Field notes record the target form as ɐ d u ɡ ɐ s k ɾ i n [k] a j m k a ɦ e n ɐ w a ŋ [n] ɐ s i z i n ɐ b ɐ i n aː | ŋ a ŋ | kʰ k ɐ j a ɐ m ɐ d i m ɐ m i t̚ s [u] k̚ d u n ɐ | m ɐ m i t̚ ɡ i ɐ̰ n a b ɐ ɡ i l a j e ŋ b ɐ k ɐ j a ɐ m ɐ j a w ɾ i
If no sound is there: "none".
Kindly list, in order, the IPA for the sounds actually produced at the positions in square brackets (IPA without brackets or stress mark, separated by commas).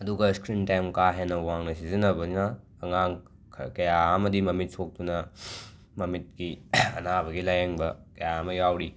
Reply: t, n, o